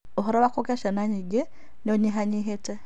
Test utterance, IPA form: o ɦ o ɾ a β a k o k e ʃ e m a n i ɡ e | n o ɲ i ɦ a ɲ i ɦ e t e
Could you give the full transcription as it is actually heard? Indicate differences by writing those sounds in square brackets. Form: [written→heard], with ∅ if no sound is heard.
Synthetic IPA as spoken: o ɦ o ɾ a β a k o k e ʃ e [m→n] a [n→ɲ] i ɡ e | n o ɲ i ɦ a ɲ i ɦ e t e